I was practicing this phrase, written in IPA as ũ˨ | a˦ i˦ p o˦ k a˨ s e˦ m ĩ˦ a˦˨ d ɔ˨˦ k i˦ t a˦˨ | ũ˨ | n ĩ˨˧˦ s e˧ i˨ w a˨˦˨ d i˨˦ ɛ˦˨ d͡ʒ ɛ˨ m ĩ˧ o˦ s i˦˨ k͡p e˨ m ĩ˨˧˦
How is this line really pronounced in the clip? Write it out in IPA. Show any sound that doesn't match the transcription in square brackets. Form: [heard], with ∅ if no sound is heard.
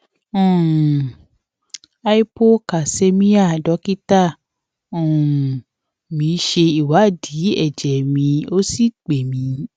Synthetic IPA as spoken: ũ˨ | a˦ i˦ p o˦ k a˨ s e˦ m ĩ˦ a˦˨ d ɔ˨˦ k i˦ t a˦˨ | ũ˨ | [m] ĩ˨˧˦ [ʃ] e˧ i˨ w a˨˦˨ d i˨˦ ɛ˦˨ d͡ʒ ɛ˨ m ĩ˧ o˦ s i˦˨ k͡p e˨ m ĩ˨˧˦

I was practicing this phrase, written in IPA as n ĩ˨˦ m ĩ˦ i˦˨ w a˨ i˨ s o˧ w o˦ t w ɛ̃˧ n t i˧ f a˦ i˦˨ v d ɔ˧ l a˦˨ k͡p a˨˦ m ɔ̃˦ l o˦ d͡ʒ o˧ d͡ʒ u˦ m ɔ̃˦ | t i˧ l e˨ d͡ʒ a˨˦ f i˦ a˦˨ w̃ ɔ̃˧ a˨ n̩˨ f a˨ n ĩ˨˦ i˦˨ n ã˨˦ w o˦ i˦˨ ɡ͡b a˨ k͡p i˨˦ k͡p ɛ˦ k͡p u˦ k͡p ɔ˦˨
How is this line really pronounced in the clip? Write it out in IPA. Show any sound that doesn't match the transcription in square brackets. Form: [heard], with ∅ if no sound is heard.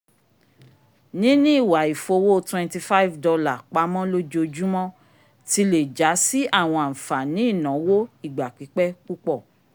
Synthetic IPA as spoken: n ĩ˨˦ [n] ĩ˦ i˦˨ w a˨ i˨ [f] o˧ w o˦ t w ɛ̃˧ n t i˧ f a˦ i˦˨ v d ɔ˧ l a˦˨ k͡p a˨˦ m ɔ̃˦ l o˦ d͡ʒ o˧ d͡ʒ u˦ m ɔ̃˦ | t i˧ l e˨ d͡ʒ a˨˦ [s] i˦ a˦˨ w̃ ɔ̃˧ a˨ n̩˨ f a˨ n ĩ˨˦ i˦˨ n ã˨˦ w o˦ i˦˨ ɡ͡b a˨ k͡p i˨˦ k͡p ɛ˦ k͡p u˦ k͡p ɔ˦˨

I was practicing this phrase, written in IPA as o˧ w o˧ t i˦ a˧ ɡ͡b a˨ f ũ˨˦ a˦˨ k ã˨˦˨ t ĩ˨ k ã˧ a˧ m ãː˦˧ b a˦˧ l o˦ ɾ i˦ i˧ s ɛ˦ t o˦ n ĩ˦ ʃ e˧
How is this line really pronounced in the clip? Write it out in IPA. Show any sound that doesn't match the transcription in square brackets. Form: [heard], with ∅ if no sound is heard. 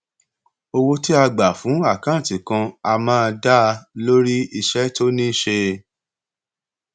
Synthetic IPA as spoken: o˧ w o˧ t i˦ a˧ ɡ͡b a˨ f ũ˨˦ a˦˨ k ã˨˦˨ t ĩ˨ k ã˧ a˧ m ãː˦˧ [d] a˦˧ l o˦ ɾ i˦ i˧ [ʃ] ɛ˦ t o˦ n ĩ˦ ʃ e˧

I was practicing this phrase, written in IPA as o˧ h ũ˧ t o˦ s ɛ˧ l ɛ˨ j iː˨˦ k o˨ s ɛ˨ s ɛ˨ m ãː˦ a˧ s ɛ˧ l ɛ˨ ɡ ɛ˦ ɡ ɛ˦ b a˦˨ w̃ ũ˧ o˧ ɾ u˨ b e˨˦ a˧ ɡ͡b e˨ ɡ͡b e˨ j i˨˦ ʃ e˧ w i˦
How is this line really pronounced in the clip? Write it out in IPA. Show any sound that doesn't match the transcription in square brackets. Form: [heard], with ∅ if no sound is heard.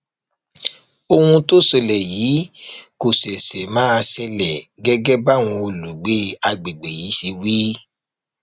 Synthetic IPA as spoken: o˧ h ũ˧ t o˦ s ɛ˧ l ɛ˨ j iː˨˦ k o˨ s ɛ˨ s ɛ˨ m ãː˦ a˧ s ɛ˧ l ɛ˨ ɡ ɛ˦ ɡ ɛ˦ b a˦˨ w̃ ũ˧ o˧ [l] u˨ [ɡ͡b] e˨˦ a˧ ɡ͡b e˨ ɡ͡b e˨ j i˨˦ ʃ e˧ w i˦

